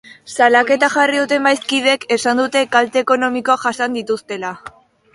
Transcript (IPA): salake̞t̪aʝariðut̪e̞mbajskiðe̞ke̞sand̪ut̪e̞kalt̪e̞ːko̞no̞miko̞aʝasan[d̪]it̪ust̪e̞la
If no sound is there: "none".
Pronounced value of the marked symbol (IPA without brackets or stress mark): d̪